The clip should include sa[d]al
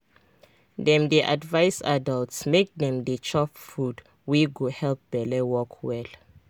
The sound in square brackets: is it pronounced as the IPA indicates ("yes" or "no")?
yes